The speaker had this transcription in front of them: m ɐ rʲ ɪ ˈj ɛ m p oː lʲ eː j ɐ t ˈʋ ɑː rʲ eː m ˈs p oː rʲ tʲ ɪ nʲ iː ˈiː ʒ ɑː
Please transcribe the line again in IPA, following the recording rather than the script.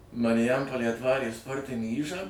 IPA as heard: m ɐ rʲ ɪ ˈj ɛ m p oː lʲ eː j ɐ t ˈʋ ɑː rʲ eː ˈs p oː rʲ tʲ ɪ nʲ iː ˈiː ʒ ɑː